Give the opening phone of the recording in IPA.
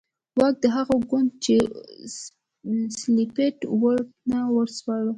w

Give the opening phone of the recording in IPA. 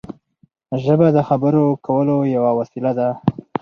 ʒ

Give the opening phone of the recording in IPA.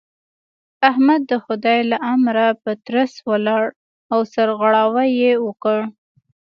a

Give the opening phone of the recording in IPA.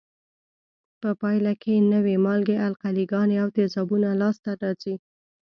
p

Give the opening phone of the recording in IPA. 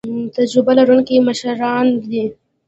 t̪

